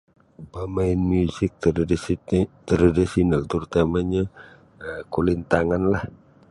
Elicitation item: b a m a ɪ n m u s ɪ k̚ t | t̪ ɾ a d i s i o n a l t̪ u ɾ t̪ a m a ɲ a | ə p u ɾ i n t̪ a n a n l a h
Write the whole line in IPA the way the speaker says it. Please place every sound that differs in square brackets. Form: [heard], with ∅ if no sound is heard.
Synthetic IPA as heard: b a m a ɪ n m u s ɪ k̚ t | t̪ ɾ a d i s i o n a l t̪ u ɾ t̪ a m a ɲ a | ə [k] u [l] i n t̪ a [ŋ] a n l a h